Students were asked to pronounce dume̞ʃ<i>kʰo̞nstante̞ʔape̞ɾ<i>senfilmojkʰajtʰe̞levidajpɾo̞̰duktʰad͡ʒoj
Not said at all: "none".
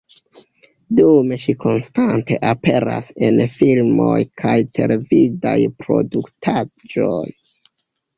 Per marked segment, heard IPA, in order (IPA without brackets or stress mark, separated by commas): i, a